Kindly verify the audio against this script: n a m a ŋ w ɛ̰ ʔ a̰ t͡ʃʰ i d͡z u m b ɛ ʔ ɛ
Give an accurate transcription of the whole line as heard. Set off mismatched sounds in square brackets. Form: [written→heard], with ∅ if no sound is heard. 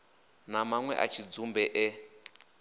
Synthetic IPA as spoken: n a m a ŋ w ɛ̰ ʔ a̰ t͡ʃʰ i d͡z u m b ɛ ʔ ɛ